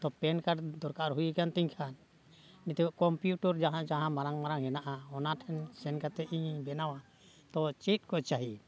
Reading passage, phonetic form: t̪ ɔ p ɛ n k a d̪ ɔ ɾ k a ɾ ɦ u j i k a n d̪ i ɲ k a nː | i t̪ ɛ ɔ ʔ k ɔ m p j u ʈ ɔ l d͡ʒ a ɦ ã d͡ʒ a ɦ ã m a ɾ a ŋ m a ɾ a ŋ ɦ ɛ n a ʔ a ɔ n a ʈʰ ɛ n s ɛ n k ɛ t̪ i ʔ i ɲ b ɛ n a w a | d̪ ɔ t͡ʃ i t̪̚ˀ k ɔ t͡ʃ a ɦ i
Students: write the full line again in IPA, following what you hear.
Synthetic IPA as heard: t̪ ɔ p ɛ n k a d̪ ɔ ɾ k a ɾ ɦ u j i k a n t̪ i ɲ kʰ a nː | i t̪ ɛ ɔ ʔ k ɔ m p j u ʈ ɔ ɾ d͡ʒ a ɦ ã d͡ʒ a ɦ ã m a ɾ a ŋ m a ɾ a ŋ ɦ ɛ n a ʔ a ɔ n a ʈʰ ɛ n s ɛ n k a t̪ ɛ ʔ i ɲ b ɛ n a w a | t̪ ɔ t͡ʃ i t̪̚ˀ k ɔ t͡ʃ a ɦ i